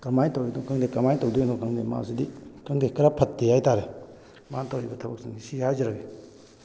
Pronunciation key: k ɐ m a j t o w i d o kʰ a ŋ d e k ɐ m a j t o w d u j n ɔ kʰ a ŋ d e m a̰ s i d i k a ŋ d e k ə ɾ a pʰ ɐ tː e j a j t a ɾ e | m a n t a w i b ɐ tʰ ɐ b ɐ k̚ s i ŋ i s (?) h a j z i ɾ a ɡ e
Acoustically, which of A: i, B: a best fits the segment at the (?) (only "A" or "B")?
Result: A